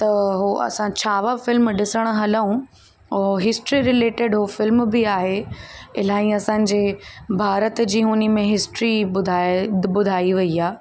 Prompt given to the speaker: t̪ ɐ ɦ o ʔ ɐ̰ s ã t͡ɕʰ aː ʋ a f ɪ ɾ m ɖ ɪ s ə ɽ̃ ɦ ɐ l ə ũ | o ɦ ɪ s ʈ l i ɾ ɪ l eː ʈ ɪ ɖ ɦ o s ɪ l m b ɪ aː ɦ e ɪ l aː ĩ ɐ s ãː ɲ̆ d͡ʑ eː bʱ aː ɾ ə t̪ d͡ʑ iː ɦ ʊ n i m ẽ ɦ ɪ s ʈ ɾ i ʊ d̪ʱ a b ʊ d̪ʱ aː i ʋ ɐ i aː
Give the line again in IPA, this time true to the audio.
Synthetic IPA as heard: t̪ ɐ ɦ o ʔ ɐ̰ s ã t͡ɕʰ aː ʋ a f ɪ l m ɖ ɪ s ə ɽ̃ ɦ ɐ l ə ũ | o ɦ ɪ s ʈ ɾ i ɾ ɪ l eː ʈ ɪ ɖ ɦ o f ɪ l m b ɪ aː ɦ e ɪ l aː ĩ ɐ s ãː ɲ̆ d͡ʑ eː bʱ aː ɾ ə t̪ d͡ʑ iː ɦ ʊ n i m ẽ ɦ ɪ s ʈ ɾ i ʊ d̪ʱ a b ʊ d̪ʱ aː i ʋ ɐ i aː